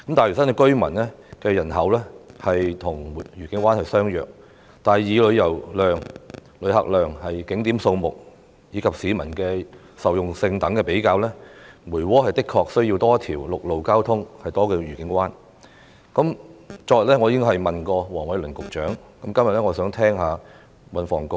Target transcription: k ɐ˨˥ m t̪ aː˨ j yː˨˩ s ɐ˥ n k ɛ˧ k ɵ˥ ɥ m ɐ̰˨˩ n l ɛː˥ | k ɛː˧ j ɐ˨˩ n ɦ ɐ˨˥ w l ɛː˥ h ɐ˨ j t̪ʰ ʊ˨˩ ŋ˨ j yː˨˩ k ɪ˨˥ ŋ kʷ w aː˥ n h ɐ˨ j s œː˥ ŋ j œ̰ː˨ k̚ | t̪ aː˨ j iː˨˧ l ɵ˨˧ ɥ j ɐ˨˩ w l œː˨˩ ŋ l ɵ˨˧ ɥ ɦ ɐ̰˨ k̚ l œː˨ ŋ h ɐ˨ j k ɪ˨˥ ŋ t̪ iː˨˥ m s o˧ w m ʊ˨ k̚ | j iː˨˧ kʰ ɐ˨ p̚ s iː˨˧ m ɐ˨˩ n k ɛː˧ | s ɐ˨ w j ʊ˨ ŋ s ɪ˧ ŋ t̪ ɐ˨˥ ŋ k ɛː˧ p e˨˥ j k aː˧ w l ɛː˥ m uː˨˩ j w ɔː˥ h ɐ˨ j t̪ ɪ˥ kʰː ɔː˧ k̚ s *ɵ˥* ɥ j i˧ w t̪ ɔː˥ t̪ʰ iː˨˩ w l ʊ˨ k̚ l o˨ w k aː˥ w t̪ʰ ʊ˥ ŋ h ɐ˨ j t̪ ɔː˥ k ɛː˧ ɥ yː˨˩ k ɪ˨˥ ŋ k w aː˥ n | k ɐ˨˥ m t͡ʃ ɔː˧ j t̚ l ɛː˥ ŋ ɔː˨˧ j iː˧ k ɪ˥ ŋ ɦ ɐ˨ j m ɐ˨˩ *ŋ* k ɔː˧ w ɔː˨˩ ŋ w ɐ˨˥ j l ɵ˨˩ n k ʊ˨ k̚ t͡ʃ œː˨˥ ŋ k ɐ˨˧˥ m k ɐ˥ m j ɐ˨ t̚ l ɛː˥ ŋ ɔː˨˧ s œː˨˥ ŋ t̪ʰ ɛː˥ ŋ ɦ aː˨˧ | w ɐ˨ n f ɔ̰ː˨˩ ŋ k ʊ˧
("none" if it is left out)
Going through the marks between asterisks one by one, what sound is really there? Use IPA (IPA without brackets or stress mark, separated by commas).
ɵ˥, n